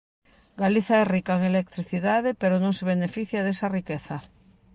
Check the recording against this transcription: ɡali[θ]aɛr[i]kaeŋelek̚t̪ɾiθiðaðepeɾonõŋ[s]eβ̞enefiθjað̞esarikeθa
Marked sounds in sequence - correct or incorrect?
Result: correct, correct, correct

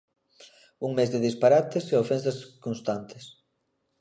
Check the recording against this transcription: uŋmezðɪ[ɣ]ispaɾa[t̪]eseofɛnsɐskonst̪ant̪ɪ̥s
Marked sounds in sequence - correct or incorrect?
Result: incorrect: ð, correct

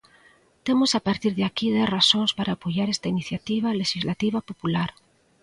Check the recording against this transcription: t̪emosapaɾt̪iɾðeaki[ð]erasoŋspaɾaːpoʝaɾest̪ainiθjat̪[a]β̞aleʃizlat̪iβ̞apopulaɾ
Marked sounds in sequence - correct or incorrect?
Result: correct, incorrect: i

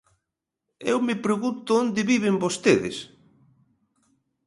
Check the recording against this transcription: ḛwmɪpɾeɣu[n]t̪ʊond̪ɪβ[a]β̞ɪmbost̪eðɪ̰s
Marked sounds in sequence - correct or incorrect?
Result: correct, incorrect: i

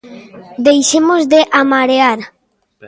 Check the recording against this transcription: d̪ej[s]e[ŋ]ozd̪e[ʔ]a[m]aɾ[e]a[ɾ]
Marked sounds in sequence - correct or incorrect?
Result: incorrect: ʃ, incorrect: m, correct, correct, correct, correct

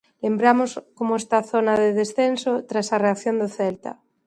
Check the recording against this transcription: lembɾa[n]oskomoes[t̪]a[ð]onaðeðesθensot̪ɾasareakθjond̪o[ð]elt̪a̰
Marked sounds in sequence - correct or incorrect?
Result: incorrect: m, correct, incorrect: θ, incorrect: θ

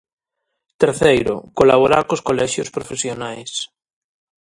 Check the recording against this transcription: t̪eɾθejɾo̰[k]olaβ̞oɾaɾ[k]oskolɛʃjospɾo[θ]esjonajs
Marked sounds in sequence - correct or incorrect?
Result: correct, correct, incorrect: f

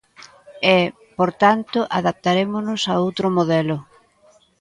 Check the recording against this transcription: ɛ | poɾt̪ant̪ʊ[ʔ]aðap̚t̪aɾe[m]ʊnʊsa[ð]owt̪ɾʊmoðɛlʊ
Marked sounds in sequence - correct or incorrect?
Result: correct, correct, incorrect: none

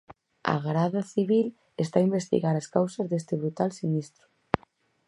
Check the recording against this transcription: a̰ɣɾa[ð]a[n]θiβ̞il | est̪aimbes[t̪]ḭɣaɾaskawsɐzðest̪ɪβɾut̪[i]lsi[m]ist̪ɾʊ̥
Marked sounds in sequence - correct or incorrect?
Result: correct, incorrect: none, correct, incorrect: a, incorrect: n

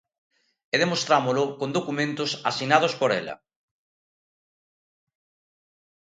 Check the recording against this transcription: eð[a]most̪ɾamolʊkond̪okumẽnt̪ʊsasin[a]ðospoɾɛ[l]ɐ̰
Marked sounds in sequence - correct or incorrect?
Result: incorrect: e, correct, correct

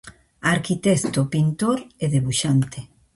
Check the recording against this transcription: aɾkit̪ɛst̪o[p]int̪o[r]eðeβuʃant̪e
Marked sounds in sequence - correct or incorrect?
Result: correct, incorrect: ɾ

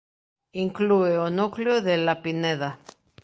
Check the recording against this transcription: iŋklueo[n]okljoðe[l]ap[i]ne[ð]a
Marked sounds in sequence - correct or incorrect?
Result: correct, correct, correct, correct

